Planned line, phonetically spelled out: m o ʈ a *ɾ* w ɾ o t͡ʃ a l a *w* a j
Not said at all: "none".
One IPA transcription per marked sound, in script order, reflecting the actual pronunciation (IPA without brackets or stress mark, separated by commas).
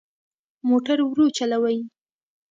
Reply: ɾ, w